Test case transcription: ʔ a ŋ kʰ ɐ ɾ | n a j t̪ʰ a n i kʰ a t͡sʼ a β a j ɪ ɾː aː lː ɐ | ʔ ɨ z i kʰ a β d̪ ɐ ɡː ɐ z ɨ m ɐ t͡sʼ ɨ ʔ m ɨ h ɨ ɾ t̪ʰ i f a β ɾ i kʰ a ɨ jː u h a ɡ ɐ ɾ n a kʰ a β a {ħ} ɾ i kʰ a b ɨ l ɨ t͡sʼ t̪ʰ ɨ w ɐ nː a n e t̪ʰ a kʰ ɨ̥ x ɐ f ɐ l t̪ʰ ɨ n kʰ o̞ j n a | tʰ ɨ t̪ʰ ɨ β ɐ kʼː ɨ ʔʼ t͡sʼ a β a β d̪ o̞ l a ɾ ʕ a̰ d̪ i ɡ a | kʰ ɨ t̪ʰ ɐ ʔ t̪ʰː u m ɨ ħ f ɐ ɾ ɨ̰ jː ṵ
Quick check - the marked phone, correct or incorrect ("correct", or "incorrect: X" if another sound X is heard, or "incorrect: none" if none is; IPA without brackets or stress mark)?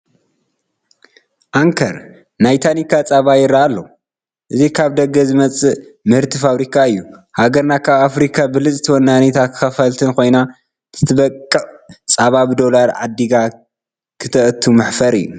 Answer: incorrect: f